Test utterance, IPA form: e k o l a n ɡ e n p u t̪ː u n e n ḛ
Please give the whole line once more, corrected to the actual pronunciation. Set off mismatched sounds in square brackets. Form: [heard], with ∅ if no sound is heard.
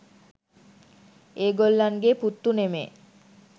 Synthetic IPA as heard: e [ɡ] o [lː] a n ɡ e [∅] p u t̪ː u n e [m] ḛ